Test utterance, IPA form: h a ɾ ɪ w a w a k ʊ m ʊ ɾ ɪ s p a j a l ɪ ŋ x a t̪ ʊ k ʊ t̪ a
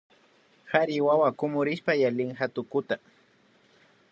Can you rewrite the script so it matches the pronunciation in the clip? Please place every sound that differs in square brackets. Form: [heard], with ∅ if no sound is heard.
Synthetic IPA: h a ɾ ɪ w a w a k ʊ m ʊ ɾ ɪ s p a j a l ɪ ŋ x a t̪ ʊ k ʊ t̪ a